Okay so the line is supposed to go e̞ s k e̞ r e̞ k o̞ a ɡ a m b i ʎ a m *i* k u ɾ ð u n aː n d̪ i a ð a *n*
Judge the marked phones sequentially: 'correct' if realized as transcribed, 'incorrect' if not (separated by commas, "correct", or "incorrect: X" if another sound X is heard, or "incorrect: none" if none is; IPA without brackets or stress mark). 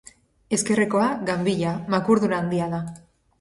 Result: incorrect: a, incorrect: none